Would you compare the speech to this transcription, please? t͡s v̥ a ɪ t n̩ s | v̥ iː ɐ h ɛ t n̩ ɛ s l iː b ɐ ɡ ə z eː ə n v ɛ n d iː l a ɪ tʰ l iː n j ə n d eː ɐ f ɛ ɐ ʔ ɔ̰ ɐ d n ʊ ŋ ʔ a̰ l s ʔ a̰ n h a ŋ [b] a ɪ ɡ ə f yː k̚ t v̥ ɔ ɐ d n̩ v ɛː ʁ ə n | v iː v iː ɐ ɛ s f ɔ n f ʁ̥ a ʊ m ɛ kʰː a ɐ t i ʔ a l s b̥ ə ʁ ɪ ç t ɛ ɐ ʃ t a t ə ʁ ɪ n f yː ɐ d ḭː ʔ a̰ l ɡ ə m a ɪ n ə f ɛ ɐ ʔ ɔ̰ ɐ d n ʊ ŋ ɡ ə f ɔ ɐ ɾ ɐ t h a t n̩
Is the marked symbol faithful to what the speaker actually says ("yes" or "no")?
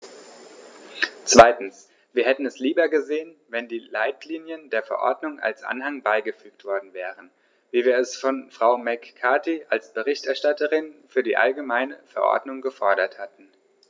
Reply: yes